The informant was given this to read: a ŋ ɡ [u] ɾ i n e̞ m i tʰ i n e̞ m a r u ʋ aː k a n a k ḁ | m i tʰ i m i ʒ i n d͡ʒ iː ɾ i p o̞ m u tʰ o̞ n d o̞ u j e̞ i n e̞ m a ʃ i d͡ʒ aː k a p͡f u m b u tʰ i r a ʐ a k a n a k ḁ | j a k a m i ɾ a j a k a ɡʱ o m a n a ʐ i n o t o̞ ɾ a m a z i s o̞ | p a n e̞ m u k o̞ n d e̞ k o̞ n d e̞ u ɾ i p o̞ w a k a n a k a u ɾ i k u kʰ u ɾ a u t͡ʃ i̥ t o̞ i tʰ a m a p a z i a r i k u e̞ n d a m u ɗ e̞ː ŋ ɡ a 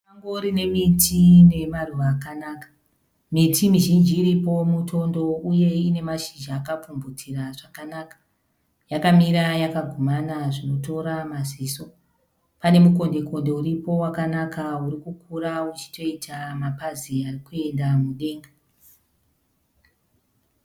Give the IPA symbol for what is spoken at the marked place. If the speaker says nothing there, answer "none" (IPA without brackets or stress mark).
o